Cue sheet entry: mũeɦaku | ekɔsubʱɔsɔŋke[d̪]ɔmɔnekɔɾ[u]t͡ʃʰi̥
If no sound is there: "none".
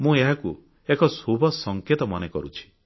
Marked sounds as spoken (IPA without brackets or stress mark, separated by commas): t̪, u